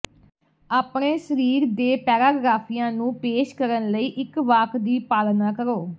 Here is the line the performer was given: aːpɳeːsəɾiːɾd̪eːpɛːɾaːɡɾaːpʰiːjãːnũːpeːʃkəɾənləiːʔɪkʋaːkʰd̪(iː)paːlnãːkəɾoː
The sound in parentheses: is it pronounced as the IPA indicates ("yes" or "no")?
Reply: yes